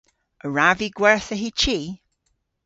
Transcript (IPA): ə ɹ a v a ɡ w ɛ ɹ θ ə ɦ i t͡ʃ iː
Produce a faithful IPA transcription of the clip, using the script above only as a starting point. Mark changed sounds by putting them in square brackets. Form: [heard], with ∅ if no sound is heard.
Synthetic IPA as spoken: ə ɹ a v [i] ɡ w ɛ ɹ θ ə ɦ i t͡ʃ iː